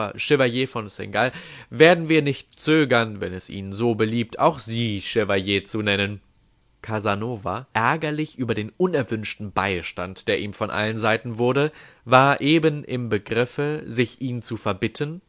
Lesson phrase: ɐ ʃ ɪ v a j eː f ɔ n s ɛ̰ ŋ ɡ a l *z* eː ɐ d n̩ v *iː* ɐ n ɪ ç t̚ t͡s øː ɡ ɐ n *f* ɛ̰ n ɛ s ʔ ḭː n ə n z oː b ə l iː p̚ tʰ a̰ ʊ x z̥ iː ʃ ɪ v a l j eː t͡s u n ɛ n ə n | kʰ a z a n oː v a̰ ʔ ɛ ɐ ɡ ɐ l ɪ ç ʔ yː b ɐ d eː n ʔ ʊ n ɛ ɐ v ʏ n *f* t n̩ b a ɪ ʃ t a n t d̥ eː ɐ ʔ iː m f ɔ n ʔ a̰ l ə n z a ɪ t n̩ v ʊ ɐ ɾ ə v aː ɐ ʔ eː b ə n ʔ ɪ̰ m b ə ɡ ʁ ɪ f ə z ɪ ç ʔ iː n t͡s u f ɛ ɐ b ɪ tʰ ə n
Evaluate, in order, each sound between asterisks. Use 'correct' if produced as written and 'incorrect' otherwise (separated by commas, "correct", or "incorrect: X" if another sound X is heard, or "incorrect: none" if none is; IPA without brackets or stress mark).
incorrect: v, correct, incorrect: v, incorrect: ʃ